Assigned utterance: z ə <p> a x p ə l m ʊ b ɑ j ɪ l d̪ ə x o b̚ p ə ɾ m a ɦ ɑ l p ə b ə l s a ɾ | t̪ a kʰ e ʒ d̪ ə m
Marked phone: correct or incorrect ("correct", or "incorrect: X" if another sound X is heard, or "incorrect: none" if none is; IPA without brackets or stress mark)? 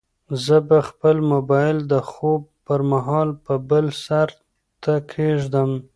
incorrect: b